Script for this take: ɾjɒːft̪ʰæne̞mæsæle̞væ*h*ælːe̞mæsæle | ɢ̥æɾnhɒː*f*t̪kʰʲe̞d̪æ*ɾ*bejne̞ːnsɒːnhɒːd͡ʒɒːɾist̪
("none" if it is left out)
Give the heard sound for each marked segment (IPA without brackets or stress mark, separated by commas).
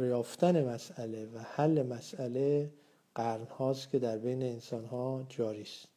h, s, ɾ